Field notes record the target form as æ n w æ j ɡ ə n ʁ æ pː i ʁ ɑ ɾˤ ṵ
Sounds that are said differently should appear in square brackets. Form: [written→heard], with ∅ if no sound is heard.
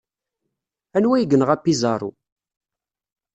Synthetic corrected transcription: æ n w æ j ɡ ə n ʁ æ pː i [ʁ→z] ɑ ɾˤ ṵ